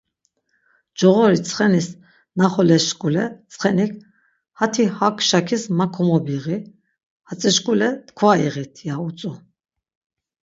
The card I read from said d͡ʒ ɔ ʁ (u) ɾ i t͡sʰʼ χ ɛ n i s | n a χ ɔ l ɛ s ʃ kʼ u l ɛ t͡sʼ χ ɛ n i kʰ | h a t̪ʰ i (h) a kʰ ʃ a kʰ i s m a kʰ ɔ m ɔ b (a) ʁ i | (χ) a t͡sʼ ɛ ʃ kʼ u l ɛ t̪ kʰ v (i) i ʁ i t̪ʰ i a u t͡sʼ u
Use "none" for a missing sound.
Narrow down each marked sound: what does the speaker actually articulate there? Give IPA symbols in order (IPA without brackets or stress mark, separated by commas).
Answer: ɔ, h, i, h, a